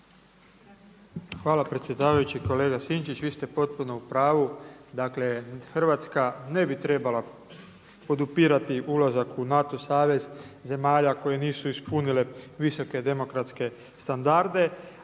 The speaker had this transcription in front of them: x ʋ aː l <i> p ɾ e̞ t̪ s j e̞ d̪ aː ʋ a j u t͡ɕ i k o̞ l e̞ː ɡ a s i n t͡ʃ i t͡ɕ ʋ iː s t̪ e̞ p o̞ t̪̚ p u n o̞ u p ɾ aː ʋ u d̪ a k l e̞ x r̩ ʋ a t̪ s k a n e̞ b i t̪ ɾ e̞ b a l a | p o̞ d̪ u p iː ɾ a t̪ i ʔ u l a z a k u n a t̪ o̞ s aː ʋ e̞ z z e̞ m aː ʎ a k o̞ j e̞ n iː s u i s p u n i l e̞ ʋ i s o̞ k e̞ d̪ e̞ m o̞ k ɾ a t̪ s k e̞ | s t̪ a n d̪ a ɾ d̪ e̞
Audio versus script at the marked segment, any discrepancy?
yes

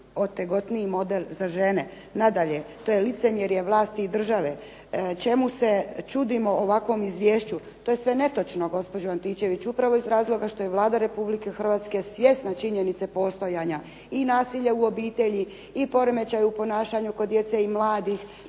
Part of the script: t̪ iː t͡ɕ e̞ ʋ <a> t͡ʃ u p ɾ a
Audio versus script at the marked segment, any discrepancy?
yes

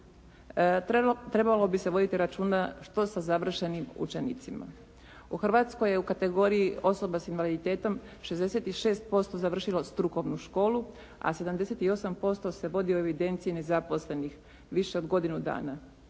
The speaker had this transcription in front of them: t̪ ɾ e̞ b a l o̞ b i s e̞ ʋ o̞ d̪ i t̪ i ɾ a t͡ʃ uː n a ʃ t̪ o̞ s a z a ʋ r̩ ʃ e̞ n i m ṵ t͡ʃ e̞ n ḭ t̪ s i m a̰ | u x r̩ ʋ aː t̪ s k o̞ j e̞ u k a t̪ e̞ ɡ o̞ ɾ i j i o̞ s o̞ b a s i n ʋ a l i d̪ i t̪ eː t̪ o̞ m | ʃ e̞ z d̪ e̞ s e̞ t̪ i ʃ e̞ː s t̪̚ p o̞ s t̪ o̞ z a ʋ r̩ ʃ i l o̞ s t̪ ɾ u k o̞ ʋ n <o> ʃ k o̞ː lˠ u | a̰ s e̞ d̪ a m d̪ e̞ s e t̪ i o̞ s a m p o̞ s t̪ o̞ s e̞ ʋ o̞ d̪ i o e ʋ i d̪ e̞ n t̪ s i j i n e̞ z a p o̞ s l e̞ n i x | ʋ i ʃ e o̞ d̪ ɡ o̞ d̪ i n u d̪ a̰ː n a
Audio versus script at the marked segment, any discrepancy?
yes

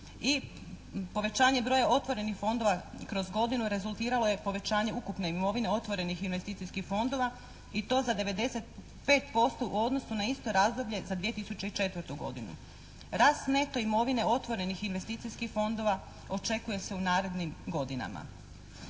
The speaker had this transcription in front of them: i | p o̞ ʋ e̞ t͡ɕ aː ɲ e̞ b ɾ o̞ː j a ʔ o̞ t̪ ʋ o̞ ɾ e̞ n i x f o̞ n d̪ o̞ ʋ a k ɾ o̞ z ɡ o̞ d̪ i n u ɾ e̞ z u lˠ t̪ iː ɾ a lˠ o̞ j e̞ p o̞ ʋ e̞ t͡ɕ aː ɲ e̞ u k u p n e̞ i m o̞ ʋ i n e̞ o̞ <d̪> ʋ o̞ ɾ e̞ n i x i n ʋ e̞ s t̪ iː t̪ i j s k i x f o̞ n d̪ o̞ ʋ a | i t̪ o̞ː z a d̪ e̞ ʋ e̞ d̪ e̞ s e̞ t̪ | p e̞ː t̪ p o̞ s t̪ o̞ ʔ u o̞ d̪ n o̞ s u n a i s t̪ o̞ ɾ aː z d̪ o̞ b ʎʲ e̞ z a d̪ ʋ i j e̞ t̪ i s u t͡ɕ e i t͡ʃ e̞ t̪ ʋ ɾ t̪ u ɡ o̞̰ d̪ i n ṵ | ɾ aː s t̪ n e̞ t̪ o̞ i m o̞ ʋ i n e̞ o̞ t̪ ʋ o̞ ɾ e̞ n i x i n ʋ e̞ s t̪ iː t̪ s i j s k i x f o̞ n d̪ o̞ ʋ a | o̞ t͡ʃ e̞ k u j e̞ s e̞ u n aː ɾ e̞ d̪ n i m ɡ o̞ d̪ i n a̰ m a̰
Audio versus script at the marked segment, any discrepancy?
yes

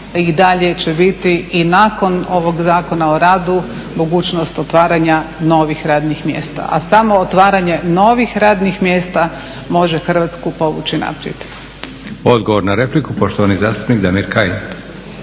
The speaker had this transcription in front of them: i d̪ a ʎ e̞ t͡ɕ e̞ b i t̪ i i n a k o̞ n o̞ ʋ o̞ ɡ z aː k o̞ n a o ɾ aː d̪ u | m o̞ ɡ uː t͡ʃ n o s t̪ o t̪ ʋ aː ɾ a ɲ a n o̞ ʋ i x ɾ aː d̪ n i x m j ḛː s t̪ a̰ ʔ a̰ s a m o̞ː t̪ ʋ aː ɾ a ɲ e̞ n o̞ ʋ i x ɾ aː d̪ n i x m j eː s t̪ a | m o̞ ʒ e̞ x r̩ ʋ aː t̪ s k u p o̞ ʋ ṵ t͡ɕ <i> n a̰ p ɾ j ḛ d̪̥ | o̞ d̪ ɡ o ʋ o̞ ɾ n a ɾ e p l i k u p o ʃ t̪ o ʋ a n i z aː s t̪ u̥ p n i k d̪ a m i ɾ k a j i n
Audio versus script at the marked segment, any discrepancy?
no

